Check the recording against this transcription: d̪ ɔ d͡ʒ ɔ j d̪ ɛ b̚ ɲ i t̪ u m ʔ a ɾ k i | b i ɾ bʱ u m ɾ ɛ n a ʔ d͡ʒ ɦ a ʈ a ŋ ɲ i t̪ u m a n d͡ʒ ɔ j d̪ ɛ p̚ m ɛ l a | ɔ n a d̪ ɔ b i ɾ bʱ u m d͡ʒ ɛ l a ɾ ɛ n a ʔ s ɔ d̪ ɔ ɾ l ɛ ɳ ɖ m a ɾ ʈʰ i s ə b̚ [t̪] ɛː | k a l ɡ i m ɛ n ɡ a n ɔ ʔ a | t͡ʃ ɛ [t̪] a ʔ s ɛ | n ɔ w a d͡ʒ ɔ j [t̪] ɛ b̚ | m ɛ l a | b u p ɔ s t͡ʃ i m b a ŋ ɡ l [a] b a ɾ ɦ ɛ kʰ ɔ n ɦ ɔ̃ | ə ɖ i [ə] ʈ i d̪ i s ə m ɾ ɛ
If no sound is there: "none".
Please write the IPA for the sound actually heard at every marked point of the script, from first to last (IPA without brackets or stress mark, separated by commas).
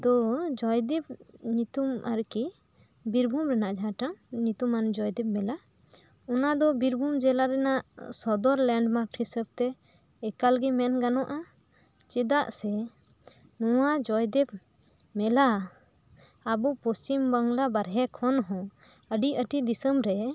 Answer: t̪, d̪, d̪, a, ə